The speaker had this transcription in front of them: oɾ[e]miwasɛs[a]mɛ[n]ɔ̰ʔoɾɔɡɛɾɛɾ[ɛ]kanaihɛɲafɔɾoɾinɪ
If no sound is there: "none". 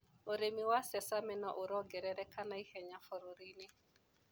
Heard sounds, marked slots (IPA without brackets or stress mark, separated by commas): e, a, n, ɛ